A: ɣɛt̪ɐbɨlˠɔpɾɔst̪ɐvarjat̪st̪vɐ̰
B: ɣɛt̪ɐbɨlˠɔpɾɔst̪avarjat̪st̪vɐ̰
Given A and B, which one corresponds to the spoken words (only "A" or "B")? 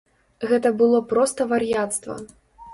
A